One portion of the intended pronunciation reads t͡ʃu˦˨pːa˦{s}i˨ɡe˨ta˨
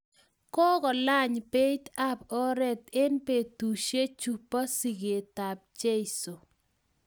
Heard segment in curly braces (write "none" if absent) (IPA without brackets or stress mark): s